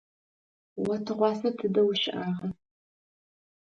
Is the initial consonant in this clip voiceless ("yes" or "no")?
no